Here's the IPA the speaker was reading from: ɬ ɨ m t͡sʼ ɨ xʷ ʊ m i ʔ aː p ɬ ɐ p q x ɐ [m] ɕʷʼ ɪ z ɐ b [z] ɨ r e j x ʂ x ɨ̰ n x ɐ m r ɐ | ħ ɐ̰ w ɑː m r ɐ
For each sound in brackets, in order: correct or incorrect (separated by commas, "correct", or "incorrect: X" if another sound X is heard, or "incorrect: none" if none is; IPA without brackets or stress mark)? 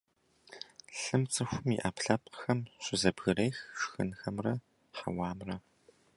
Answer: correct, incorrect: ɣ